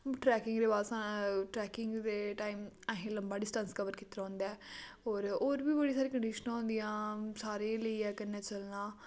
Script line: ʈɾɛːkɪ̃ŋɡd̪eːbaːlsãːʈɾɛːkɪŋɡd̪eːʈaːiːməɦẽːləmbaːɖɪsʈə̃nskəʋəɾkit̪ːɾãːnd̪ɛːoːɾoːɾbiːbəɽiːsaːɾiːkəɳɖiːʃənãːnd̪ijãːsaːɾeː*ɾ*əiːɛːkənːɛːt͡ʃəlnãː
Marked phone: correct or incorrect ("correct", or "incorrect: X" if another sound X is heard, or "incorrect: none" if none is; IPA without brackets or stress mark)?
incorrect: l